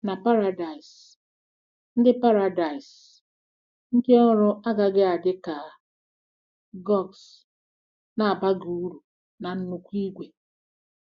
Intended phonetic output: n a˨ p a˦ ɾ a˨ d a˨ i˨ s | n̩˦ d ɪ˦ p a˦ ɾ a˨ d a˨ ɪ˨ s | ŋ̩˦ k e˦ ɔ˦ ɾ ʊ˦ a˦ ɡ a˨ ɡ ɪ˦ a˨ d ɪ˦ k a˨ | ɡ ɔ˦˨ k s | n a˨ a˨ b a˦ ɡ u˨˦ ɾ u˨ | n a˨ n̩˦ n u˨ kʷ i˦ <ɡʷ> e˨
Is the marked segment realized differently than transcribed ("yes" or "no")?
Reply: no